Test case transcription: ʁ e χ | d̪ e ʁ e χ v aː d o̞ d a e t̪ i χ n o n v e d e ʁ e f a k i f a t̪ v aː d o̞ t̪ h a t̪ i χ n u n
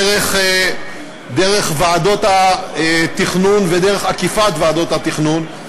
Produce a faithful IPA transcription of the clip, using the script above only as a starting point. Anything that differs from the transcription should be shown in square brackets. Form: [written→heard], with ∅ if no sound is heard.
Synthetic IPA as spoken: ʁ e χ | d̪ e ʁ e χ v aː d o̞ [d→t] a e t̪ i χ n [o→u] n v e d e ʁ e [f→χ] a k i f a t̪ v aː d o̞ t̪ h a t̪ i χ n u n

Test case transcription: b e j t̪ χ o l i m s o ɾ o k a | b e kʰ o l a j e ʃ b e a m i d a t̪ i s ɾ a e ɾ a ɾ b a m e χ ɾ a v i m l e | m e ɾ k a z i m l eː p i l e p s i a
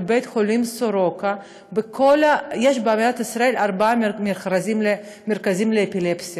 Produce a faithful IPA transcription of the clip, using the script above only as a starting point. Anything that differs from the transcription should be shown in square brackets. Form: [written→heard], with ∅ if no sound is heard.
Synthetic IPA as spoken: b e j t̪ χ o l i m s o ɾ o k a | b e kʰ o l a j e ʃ b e a m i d a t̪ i s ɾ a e [ɾ→l] a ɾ b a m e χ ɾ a [v→z] i m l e | m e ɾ k a z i m l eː p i l e p s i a

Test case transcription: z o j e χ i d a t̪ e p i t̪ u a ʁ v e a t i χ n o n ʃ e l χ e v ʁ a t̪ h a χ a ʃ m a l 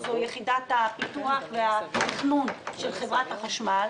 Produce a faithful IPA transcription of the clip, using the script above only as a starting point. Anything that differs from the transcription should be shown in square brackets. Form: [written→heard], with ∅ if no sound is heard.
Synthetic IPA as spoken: z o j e χ i d a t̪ [e→a] p i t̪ u a [ʁ→χ] v e a t i χ n [o→u] n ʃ e l χ e v ʁ a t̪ h a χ a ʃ m a l

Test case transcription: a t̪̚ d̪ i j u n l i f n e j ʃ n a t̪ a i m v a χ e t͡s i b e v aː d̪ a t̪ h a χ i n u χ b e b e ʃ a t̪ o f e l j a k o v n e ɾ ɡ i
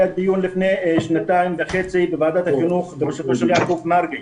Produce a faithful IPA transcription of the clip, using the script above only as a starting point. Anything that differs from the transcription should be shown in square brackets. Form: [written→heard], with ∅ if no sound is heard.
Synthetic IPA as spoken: a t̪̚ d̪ i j u n l i f n e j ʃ n a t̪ a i m v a χ e t͡s i b e v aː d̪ a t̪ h a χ i n u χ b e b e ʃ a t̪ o [f→ʃ] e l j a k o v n [e→a] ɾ ɡ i

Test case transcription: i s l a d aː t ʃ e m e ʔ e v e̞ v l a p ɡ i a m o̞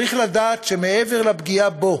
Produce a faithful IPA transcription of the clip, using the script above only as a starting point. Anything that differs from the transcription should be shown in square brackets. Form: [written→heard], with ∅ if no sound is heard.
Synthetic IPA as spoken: i [s→χ] l a d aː t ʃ e m e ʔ e v e̞ [v→ʁ] l a [p→b] ɡ i a [m→b] o̞

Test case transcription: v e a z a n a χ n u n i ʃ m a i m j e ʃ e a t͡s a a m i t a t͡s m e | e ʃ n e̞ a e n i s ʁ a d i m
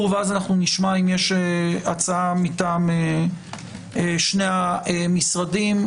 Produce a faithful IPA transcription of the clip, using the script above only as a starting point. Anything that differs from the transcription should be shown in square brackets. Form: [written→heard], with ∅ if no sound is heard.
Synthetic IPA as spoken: v e a z a n a χ n u n i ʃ m a i m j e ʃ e a t͡s a a m i t a [t͡s→∅] m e | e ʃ n e̞ a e [n→m] i s ʁ a d i m

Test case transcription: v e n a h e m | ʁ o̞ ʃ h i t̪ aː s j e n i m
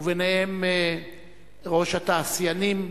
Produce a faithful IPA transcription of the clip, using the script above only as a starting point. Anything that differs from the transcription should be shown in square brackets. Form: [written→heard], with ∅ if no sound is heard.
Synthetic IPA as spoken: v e n [a→e] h e m | ʁ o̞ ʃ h [i→a] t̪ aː s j [e→a] n i m

